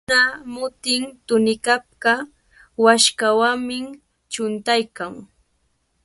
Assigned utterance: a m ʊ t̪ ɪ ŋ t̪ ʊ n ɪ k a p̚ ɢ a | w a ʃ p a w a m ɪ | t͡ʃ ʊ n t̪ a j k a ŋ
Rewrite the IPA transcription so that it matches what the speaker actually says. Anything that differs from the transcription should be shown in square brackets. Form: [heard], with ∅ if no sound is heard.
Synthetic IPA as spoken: a m ʊ t̪ ɪ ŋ t̪ ʊ n ɪ k a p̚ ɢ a | w a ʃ [k] a w a m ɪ | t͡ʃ ʊ n t̪ a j k a ŋ